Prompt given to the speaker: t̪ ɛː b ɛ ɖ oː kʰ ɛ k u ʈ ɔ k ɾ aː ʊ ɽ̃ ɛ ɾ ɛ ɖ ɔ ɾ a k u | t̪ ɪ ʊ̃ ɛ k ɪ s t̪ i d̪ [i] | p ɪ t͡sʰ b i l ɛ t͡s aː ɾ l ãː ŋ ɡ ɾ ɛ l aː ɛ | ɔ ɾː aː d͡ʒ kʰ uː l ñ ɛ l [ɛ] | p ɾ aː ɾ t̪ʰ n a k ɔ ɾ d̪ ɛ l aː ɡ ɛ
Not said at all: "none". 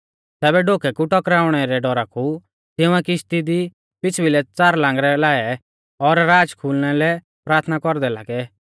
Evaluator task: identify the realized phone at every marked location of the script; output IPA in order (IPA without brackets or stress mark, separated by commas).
i, ɛ